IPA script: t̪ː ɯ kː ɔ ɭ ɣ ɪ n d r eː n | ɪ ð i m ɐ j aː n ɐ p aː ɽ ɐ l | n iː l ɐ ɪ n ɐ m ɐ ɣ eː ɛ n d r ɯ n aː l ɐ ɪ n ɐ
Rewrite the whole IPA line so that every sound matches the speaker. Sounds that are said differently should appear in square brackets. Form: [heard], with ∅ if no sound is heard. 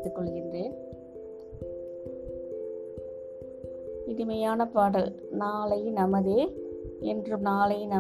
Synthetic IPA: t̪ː ɯ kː ɔ ɭ ɣ ɪ n d r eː n | ɪ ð [ɪ] m ɐ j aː n ɐ p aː ɽ ɐ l | n [aː] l ɐ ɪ n ɐ m ɐ [ð] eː ɛ n d r ɯ n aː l ɐ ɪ n ɐ